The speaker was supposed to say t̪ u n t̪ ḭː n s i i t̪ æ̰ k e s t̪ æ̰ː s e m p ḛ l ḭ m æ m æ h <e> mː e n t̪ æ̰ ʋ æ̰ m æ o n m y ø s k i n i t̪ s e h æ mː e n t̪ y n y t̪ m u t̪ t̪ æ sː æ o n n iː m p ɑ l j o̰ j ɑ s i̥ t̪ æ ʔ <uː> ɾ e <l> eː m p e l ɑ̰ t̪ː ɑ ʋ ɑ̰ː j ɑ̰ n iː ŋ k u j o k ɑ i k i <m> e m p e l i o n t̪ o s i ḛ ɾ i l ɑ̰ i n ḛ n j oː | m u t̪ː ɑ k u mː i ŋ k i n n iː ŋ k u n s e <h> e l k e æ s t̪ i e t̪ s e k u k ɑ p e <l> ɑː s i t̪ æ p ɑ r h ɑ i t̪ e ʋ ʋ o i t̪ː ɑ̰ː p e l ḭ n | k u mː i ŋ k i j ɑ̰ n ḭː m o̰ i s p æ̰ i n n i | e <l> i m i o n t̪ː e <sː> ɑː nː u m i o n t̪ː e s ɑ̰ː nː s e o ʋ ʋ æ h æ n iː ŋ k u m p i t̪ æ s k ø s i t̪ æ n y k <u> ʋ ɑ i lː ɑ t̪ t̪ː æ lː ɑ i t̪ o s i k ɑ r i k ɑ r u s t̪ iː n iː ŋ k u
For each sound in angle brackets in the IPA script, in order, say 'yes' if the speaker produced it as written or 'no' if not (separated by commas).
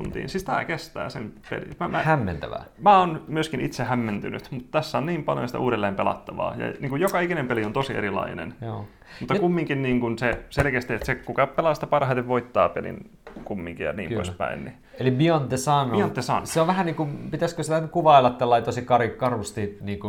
no, yes, no, no, no, yes, yes, no, yes